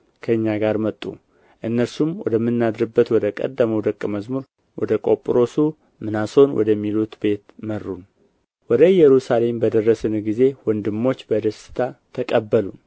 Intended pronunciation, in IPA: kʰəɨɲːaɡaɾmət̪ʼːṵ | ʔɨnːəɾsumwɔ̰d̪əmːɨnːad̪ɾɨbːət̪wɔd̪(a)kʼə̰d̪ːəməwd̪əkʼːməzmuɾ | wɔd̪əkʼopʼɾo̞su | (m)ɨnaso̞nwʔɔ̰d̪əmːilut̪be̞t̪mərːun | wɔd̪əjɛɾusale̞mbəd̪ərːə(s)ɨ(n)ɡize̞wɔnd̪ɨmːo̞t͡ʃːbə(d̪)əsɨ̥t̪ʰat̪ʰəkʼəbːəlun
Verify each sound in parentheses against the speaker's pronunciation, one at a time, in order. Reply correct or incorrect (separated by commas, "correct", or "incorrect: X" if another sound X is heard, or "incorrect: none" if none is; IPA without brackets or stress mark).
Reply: incorrect: ə, correct, correct, correct, correct